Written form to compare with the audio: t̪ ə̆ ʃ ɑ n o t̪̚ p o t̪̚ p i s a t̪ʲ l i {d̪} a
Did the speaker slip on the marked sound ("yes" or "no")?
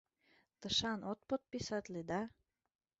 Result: no